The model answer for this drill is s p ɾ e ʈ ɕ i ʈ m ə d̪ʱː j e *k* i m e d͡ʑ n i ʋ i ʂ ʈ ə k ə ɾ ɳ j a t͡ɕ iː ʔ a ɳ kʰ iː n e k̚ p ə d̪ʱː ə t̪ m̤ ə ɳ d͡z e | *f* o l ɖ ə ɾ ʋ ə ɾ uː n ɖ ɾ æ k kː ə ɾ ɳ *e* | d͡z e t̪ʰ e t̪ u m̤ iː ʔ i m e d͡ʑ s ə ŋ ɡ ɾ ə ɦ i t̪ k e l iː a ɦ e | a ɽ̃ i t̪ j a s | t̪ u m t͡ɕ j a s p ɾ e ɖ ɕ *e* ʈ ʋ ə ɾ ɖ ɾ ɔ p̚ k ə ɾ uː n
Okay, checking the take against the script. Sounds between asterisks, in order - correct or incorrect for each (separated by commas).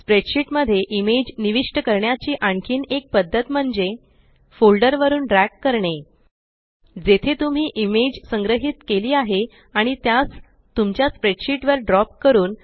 incorrect, correct, correct, incorrect